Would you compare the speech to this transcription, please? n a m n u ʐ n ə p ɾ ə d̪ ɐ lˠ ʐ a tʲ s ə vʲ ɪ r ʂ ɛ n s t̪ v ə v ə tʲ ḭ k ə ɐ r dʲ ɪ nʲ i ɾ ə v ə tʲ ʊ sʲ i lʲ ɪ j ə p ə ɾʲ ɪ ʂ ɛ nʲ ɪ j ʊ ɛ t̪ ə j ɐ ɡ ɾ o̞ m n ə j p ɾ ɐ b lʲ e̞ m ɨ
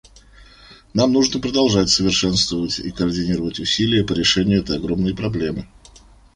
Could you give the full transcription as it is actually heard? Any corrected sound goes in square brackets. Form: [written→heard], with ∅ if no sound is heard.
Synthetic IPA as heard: n a m n u ʐ n ə p ɾ ə d̪ ɐ lˠ ʐ a tʲ s ə vʲ ɪ r ʂ ɛ n s t̪ v ə v ə tʲ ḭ k ə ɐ r dʲ ɪ nʲ i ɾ ə v ə tʲ ʊ sʲ i lʲ ɪ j ə p ə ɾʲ ɪ ʂ ɛ nʲ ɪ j ʊ ɛ t̪ ə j ɐ ɡ ɾ o̞ m n ə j p ɾ ɐ b lʲ e̞ m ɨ